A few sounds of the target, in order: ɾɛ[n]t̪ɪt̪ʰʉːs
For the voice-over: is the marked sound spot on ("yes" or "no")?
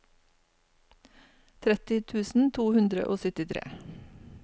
no